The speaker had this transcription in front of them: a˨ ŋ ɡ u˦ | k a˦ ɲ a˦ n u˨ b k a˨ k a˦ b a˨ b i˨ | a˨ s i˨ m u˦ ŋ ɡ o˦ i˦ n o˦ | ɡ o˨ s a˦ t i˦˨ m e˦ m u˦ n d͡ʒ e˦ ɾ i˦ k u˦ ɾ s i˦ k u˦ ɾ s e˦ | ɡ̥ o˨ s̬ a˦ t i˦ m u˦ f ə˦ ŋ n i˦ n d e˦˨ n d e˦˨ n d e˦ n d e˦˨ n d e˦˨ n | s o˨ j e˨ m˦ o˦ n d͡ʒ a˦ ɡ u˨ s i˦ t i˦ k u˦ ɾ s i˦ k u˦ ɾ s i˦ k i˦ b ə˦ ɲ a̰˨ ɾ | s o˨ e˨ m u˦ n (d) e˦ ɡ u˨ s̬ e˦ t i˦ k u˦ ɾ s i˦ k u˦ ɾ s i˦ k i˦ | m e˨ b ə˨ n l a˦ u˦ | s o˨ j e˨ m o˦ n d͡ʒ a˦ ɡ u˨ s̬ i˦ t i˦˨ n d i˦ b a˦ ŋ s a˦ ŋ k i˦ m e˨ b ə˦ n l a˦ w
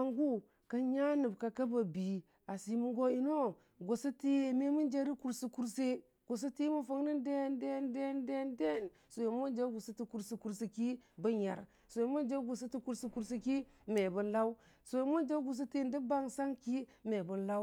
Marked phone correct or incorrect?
incorrect: d͡ʒ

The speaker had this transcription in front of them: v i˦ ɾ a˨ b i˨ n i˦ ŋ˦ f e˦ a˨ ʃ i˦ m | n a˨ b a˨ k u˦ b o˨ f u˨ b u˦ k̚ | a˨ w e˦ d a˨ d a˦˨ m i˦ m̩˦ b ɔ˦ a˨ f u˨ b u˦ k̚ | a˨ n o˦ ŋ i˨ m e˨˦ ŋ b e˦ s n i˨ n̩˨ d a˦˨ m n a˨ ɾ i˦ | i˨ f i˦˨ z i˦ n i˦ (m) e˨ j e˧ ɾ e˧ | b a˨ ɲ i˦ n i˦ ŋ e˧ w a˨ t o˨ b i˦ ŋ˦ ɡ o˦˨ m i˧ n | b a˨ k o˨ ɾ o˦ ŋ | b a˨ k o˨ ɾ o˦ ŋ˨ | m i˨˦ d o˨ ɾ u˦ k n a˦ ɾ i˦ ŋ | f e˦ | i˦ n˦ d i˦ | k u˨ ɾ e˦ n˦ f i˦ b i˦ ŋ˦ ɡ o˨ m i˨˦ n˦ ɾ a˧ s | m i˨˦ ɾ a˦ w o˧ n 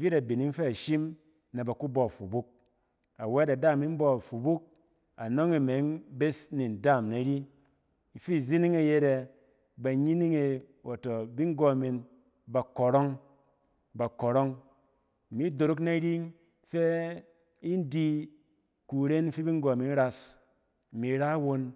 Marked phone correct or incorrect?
incorrect: ŋ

